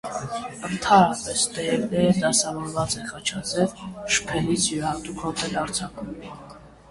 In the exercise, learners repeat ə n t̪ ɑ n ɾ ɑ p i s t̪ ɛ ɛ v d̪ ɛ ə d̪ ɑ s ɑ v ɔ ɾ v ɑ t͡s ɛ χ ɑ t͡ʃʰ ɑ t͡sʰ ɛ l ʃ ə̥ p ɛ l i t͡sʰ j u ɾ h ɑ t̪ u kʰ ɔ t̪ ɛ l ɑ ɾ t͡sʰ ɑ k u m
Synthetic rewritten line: ə n t̪ʰ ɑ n ɾ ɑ p ɛ s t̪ ɛ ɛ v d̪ ɛ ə d̪ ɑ s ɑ v ɔ ɾ v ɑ t͡s ɛ χ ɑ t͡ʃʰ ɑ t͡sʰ ɛ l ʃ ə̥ pʰ ɛ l i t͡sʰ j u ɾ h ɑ t̪ u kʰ ɔ t̪ ɛ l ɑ ɾ t͡sʰ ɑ k u m